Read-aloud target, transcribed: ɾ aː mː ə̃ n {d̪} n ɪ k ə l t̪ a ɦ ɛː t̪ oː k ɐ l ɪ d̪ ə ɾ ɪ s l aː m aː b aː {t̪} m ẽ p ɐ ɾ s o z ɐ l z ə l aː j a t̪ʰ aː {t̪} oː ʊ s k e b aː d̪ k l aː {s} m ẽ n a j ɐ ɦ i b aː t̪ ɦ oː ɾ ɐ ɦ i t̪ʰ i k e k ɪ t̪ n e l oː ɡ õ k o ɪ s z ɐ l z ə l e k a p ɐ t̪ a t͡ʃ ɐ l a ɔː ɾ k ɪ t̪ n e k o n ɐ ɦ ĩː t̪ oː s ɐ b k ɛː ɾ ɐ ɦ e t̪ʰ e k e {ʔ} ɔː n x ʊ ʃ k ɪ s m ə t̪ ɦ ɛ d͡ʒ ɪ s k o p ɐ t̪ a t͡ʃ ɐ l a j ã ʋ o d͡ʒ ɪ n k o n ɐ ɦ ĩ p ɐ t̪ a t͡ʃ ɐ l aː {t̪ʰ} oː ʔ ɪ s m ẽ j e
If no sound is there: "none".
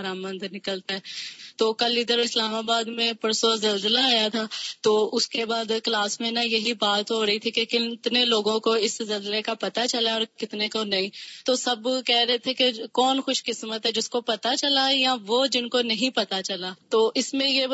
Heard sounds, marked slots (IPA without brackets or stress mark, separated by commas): d̪, d̪, t̪, s, k, t̪